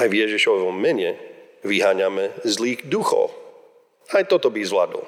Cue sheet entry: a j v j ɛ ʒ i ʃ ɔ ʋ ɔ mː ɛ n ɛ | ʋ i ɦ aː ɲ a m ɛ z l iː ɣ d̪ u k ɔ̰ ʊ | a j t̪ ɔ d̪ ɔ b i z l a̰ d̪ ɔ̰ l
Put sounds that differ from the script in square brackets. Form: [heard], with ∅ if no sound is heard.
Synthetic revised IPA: a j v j ɛ ʒ i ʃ ɔ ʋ ɔ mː ɛ [ɲ] ɛ | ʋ i ɦ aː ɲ a m ɛ z l iː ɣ d̪ u [x] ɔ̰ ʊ | a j t̪ ɔ [t̪] ɔ b i z l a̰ d̪ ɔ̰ l